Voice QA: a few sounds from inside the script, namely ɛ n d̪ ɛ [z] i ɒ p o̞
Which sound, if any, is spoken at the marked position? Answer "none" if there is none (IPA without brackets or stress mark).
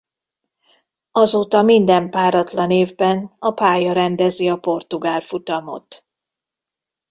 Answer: z